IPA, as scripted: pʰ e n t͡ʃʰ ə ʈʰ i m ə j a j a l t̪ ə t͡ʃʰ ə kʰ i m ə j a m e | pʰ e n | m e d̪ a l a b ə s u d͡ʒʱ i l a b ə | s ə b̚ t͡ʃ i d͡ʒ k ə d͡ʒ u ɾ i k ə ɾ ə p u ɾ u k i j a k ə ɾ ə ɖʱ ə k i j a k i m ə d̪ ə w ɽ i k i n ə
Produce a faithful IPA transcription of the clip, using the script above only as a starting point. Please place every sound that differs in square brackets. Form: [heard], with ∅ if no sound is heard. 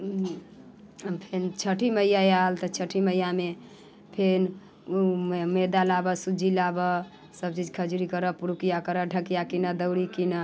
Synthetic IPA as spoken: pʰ e n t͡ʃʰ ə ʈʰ i m ə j a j a l t̪ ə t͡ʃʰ ə [ʈʰ] i m ə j a m e | pʰ e n | m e d̪ a l a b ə s u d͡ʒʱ i l a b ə | s ə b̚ t͡ʃ i d͡ʒ [kʰ] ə d͡ʒ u ɾ i k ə ɾ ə p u ɾ u k i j a k ə ɾ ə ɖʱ ə k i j a k i [n] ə d̪ ə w ɽ i k i n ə